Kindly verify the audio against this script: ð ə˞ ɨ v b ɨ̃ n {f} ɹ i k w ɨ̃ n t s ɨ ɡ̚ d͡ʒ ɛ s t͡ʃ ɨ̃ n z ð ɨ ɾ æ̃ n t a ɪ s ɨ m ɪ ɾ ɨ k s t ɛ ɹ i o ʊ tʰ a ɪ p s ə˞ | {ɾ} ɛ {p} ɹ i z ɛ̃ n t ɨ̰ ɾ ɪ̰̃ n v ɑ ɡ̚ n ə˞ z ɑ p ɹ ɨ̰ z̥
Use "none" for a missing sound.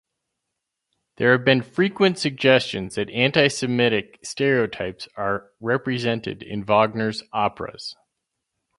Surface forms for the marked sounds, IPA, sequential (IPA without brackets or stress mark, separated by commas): f, ɹ, p